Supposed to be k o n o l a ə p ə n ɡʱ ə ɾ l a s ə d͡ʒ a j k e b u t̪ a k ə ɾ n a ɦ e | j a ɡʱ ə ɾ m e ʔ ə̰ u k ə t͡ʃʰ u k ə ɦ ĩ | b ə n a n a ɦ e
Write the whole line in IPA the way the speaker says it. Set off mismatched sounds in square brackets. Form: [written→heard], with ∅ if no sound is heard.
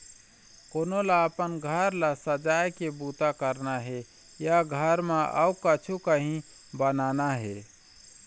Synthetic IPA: k o n o l a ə p ə n ɡʱ ə ɾ l a s ə d͡ʒ a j k e b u t̪ a k ə ɾ n a ɦ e | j a ɡʱ ə ɾ m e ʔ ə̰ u k ə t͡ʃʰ u k ə ɦ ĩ | b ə n a n a ɦ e

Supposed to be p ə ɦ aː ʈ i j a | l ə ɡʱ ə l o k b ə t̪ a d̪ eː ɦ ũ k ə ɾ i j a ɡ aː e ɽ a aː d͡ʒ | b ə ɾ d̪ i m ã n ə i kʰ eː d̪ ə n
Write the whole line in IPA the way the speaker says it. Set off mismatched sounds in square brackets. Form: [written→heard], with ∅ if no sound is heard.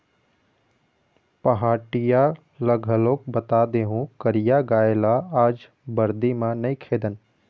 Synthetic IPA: p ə ɦ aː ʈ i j a | l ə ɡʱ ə l o k b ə t̪ a d̪ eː ɦ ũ k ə ɾ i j a ɡ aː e [ɽ→l] a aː d͡ʒ | b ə ɾ d̪ i m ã n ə i kʰ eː d̪ ə n

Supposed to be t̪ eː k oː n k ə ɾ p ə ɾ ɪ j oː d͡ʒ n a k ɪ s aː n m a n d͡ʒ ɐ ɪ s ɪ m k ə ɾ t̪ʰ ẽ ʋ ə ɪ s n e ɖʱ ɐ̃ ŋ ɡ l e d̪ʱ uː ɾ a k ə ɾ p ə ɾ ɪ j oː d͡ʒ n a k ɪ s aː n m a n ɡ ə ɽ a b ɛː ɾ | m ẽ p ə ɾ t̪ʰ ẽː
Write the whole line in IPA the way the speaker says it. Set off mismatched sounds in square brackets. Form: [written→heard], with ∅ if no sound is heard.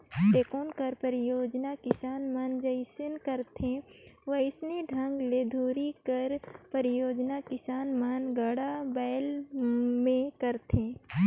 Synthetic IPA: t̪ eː k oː n k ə ɾ p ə ɾ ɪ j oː d͡ʒ n a k ɪ s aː n m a n d͡ʒ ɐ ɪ s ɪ [m→n] k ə ɾ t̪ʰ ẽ ʋ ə ɪ s n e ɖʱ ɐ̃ ŋ ɡ l e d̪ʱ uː ɾ [a→i] k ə ɾ p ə ɾ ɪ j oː d͡ʒ n a k ɪ s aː n m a n ɡ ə ɽ a b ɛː [ɾ→l] | m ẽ [p→k] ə ɾ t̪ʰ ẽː

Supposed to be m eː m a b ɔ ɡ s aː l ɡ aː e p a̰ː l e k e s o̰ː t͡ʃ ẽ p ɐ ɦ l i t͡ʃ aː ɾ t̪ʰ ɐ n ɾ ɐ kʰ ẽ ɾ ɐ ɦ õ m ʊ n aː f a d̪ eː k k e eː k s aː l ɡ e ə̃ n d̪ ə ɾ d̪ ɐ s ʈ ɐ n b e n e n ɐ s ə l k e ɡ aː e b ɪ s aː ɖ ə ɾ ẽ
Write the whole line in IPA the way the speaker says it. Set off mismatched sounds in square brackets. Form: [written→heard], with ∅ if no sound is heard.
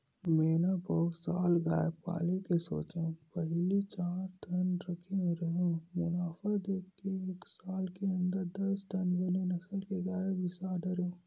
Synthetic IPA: m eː [m→n] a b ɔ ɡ s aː l ɡ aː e p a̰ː l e k e s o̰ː t͡ʃ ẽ p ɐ ɦ l i t͡ʃ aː ɾ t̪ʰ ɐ n ɾ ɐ kʰ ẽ ɾ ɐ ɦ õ m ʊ n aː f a d̪ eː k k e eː k s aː l [ɡ→k] e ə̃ n d̪ ə ɾ d̪ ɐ s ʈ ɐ n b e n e n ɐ s ə l k e ɡ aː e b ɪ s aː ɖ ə ɾ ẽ

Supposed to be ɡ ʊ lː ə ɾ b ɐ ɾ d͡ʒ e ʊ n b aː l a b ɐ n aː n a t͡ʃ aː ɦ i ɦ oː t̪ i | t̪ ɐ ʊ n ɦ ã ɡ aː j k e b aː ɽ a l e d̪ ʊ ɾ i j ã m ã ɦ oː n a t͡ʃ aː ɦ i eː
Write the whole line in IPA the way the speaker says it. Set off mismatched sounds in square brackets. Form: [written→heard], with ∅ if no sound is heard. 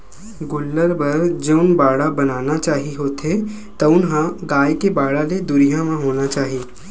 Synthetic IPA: ɡ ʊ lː ə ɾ b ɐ ɾ d͡ʒ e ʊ n b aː [l→ɽ] a b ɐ n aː n a t͡ʃ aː ɦ i ɦ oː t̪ [i→e] | t̪ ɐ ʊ n ɦ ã ɡ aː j k e b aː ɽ a l e d̪ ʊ ɾ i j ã m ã ɦ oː n a t͡ʃ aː ɦ i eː

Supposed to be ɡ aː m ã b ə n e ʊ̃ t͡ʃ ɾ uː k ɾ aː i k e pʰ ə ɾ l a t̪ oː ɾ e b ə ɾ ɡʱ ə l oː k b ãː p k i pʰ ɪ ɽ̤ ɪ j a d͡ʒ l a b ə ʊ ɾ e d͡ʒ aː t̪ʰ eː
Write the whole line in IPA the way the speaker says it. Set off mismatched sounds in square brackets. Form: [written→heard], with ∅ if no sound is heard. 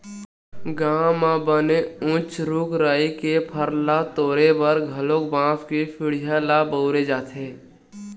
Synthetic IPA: ɡ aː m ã b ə n e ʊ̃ t͡ʃ ɾ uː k ɾ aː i k e pʰ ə ɾ l a t̪ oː ɾ e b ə ɾ ɡʱ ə l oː k b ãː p k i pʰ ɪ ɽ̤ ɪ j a [d͡ʒ→∅] l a b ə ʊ ɾ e d͡ʒ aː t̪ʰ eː

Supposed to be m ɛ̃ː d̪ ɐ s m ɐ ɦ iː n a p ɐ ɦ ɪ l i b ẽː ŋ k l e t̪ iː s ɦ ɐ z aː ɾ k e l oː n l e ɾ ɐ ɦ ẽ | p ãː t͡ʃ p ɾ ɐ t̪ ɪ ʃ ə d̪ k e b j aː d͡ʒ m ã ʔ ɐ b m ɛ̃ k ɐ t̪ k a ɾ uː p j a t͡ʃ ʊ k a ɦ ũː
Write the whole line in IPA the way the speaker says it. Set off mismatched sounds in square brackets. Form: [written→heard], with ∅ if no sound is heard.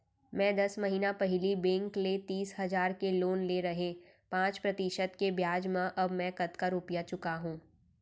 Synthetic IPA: m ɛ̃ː d̪ ɐ s m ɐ ɦ iː n a p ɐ ɦ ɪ l i b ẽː ŋ k l e t̪ iː s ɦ ɐ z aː ɾ k e l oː n l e ɾ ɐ ɦ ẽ | p ãː t͡ʃ p ɾ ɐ t̪ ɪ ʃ ə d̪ k e b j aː d͡ʒ m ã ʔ ɐ b m ɛ̃ k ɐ t̪ k a ɾ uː p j a t͡ʃ ʊ k a ɦ ũː

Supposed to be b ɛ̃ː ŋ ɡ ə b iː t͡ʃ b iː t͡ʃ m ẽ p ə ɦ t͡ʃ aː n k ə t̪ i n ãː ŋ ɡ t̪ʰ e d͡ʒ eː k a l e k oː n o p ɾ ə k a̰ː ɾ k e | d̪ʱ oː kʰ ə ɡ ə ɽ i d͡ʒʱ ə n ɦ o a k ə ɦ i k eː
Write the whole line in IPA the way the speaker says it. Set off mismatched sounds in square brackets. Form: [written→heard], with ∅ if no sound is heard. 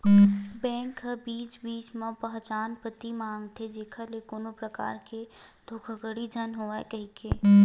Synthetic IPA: b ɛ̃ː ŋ [ɡ→k] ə b iː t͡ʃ b iː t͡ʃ m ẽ p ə ɦ t͡ʃ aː n [k→p] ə t̪ i [n→m] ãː ŋ ɡ t̪ʰ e d͡ʒ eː [k→kʰ] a l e k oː n o p ɾ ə k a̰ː ɾ k e | d̪ʱ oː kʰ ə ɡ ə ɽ i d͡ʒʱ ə n ɦ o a k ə ɦ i k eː

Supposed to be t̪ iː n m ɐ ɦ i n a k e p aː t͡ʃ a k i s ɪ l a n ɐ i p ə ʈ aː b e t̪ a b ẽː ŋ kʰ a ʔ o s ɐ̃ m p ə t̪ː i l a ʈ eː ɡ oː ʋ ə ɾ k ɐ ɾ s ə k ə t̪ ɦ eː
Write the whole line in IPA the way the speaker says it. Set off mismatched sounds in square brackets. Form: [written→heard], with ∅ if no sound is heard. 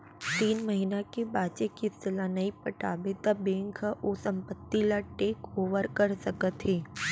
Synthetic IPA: t̪ iː n m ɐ ɦ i n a k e [p→b] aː t͡ʃ [a→e] k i s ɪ l a n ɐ i p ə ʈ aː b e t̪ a b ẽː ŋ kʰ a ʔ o s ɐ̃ m p ə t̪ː i l a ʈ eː [ɡ→k] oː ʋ ə ɾ k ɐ ɾ s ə k ə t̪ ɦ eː

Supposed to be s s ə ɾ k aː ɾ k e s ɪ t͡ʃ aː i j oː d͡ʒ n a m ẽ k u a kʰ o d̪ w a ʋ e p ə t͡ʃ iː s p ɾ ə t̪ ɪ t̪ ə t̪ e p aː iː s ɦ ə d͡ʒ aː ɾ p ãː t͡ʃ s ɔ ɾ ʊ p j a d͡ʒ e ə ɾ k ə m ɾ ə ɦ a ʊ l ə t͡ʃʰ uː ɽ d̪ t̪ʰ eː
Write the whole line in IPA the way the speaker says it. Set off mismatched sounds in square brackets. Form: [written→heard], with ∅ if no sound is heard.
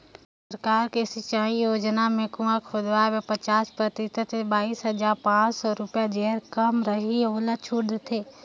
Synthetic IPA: s s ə ɾ k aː ɾ k e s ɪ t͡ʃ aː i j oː d͡ʒ n a m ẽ k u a kʰ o d̪ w a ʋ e p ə t͡ʃ [iː→aː] s p ɾ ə t̪ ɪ t̪ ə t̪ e [p→b] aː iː s ɦ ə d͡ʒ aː ɾ p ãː t͡ʃ s ɔ ɾ ʊ p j a d͡ʒ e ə ɾ k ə m ɾ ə ɦ [a→i] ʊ l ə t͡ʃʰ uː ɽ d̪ t̪ʰ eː

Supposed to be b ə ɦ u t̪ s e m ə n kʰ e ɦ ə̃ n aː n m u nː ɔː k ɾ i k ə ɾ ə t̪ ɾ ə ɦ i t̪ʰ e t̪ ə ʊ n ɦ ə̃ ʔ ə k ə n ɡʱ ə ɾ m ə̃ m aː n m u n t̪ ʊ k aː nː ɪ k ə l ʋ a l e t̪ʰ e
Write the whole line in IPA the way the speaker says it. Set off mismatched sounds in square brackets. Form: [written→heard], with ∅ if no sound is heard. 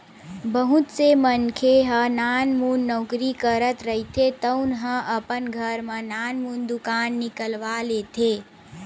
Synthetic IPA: b ə ɦ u t̪ s e m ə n kʰ e ɦ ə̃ n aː n m u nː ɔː k ɾ i k ə ɾ ə t̪ ɾ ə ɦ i t̪ʰ e t̪ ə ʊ n ɦ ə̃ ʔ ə [k→p] ə n ɡʱ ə ɾ m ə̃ [m→n] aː n m u n [t̪→d̪] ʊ k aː nː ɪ k ə l ʋ a l e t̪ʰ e

